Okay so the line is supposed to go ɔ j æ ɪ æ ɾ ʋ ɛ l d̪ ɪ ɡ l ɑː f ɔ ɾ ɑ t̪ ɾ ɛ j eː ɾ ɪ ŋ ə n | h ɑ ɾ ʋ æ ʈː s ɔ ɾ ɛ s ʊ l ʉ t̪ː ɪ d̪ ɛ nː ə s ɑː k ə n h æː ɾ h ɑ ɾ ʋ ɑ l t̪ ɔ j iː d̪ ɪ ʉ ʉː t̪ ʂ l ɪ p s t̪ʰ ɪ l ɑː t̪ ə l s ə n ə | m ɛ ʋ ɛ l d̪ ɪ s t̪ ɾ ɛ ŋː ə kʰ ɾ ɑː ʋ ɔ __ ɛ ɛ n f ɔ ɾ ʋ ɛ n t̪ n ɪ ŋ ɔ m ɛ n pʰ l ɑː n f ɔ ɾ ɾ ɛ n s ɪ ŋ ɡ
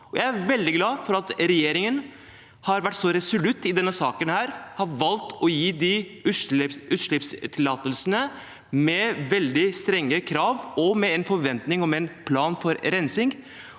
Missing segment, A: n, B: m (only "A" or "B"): B